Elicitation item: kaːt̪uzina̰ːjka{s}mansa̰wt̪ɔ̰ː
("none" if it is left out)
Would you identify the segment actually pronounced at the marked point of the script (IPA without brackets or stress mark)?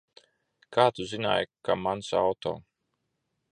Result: none